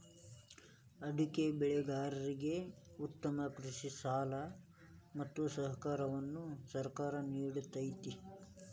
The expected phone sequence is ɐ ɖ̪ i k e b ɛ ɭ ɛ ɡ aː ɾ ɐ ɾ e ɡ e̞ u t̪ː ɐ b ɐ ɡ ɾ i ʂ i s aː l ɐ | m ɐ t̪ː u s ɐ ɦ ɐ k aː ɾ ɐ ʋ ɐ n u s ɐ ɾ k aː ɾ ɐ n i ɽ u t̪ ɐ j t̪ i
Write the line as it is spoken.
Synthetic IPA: ɐ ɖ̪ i k e b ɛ ɭ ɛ ɡ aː ɾ ɐ ɾ i ɡ e̞ u t̪ː ɐ m ɐ k ɾ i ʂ i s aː l ɐ | m ɐ t̪ː u s ɐ ɦ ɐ k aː ɾ ɐ ʋ ɐ nː u s ɐ ɾ k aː ɾ ɐ n iː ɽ u t̪ ɐ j t̪ i